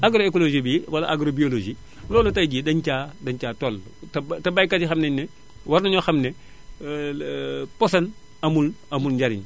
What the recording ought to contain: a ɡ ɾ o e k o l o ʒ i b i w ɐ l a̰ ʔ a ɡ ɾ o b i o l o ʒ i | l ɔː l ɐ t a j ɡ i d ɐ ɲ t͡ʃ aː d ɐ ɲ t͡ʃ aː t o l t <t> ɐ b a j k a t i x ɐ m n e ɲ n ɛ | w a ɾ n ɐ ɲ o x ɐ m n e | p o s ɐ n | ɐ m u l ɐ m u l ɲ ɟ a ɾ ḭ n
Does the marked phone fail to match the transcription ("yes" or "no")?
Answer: no